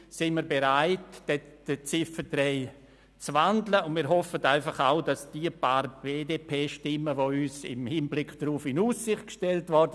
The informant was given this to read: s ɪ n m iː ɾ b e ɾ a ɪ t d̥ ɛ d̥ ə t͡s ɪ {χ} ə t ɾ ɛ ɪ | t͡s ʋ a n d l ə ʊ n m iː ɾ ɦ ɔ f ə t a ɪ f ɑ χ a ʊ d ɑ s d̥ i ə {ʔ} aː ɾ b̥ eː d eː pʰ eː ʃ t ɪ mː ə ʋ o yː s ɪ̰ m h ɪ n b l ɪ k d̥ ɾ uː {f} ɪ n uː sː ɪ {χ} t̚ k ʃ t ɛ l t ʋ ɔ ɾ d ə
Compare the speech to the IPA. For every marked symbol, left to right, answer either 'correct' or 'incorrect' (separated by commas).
incorrect, incorrect, correct, correct